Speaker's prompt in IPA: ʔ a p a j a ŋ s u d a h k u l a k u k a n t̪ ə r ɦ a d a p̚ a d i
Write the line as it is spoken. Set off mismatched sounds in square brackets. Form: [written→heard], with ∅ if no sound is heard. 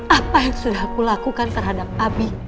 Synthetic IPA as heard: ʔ a p a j a ŋ s u d a h k u l a k u k a n t̪ ə r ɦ a d a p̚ a [d→b] i